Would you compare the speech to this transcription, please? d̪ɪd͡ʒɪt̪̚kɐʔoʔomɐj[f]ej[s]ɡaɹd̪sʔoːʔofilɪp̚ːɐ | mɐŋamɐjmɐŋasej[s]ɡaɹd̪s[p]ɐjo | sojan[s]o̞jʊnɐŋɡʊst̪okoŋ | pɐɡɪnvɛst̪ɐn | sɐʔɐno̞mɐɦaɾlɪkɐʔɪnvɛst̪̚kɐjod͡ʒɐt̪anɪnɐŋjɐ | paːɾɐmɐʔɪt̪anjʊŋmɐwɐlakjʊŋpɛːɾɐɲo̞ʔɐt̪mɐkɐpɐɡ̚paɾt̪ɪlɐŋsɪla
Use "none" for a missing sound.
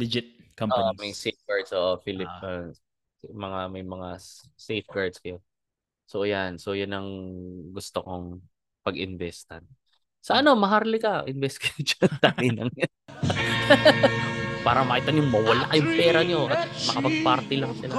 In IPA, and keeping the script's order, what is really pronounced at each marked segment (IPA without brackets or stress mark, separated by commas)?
s, f, f, k, s